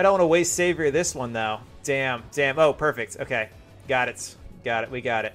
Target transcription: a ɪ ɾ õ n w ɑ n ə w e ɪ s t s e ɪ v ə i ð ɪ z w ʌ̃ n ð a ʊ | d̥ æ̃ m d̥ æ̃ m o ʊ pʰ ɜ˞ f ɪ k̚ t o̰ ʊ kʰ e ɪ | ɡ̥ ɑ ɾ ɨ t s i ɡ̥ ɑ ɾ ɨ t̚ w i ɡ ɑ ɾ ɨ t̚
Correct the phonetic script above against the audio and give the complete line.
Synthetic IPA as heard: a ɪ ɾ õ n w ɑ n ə w e ɪ s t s e ɪ v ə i ð ɪ s w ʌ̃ n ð a ʊ | d̥ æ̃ m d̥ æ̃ m o ʊ pʰ ɜ˞ f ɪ k̚ t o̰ ʊ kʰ e ɪ | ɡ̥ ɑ ɾ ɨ t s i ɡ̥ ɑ ɾ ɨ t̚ w i ɡ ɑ ɾ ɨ t̚